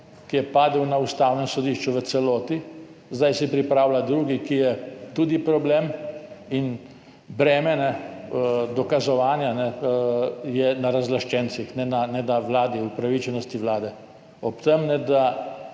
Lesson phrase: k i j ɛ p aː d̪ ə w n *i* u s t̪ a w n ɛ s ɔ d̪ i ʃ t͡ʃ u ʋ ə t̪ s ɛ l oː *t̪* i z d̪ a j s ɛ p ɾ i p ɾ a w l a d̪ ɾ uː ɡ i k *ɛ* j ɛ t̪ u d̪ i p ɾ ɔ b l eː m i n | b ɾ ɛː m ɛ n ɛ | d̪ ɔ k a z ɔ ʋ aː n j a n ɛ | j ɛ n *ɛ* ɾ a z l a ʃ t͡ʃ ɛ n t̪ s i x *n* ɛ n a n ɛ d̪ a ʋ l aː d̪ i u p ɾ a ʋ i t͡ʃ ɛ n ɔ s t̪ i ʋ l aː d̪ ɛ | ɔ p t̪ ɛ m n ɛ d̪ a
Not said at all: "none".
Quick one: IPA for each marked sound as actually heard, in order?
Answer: a, t̪, i, a, n

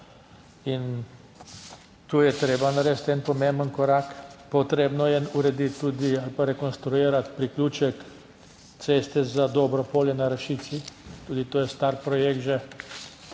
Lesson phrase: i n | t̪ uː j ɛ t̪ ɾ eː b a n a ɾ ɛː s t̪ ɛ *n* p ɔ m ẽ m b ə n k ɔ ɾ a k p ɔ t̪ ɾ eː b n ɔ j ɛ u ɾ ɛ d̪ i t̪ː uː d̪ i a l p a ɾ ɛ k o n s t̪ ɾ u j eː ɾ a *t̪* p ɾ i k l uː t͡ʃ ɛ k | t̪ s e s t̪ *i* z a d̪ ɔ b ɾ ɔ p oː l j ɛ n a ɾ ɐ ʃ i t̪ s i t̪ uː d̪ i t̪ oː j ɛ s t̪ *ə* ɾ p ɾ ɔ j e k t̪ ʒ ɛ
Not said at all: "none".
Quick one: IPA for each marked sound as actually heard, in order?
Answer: n, t̪, ɛ, a

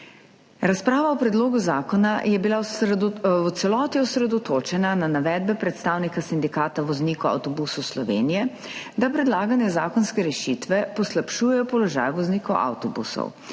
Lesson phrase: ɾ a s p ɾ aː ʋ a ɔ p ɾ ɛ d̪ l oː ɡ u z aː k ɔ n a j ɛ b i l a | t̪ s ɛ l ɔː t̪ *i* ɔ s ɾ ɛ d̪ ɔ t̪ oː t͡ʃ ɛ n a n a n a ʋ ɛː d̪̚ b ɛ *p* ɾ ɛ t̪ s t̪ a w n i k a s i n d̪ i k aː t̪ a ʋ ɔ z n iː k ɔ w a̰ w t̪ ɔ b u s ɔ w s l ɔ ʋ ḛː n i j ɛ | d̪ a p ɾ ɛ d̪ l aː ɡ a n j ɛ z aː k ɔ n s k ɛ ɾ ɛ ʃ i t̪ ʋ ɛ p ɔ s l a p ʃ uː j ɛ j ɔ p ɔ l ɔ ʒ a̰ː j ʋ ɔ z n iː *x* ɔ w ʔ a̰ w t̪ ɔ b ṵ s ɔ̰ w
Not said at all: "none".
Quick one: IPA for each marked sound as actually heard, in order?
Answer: i, p, k

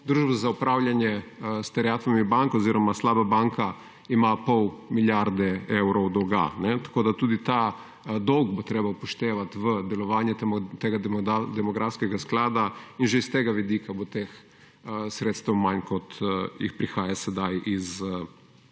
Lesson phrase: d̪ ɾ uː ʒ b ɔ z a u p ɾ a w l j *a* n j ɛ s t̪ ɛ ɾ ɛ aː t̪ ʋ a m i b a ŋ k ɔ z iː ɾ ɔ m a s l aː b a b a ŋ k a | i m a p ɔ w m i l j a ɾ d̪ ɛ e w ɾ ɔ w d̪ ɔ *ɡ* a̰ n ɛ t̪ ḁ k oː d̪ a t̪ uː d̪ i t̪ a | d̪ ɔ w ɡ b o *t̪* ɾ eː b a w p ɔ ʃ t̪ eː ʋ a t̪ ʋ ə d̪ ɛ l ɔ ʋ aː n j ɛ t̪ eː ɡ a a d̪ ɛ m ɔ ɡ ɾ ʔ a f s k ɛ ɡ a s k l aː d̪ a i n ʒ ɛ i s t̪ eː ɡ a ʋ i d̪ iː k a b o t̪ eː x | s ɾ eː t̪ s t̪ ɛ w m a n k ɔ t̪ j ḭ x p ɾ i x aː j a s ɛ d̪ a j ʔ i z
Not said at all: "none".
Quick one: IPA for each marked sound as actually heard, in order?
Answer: a, ɡ, t̪

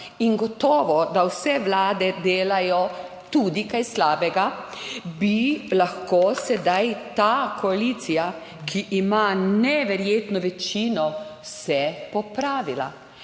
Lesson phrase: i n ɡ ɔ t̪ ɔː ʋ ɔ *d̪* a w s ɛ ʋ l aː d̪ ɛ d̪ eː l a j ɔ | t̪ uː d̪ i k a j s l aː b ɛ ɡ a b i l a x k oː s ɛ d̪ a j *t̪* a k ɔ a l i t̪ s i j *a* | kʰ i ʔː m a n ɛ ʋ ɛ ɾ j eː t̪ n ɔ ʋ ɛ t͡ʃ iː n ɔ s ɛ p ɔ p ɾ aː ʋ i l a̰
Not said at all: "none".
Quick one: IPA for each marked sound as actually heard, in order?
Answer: d̪, t̪, a

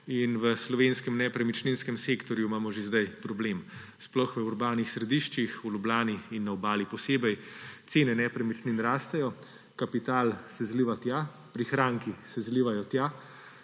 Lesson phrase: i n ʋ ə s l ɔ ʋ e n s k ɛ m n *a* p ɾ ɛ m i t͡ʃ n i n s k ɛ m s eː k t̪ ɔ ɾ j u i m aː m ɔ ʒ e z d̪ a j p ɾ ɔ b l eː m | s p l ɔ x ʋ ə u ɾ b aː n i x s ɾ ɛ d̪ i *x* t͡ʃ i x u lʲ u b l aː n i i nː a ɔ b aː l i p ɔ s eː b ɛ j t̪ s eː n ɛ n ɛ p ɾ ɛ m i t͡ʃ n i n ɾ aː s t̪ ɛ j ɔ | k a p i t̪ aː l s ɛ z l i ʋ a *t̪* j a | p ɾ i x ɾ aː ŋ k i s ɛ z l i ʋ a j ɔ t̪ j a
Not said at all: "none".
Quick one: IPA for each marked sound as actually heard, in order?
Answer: ɛ, ʃ, t̪

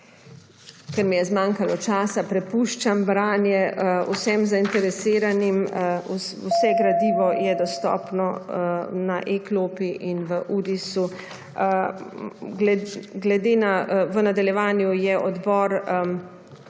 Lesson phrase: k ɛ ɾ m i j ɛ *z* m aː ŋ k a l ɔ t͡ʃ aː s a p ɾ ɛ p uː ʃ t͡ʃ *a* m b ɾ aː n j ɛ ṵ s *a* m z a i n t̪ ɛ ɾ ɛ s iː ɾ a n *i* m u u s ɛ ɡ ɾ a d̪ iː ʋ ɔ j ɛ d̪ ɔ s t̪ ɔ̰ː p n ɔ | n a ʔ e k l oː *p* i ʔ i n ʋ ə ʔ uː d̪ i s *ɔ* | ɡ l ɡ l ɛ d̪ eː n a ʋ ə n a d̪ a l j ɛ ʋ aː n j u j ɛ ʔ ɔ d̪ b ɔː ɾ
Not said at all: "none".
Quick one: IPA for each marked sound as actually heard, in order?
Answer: z, a, ɛ, i, p, u

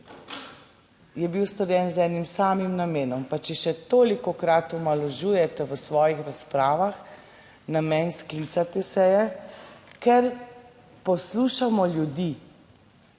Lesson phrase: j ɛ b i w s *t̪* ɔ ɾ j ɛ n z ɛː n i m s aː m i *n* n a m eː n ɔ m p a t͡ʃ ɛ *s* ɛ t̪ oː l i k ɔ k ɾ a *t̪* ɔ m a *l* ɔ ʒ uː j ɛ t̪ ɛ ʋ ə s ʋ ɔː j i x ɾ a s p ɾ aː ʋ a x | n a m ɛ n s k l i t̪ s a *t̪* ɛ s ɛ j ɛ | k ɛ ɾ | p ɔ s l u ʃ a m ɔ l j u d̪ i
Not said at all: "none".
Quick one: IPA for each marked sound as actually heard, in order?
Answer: t̪, m, ʃ, t̪, l, t̪

